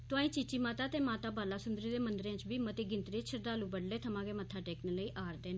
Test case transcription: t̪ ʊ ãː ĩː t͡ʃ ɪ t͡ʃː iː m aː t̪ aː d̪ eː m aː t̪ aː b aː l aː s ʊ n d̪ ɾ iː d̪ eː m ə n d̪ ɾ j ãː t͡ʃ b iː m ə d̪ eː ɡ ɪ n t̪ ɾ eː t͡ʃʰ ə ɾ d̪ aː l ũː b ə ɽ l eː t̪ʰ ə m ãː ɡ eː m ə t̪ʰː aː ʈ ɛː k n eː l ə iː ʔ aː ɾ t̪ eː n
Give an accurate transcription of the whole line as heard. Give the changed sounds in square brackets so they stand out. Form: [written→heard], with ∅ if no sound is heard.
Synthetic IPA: t̪ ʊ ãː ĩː t͡ʃ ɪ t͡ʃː iː m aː t̪ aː [d̪→t̪] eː m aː t̪ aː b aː l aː s ʊ n d̪ ɾ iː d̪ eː m ə n d̪ ɾ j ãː t͡ʃ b iː m ə [d̪→t̪] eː ɡ ɪ n t̪ ɾ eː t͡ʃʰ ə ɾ d̪ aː l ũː b ə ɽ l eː t̪ʰ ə m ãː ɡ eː m ə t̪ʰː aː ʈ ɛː k n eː l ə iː ʔ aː ɾ [t̪→d̪] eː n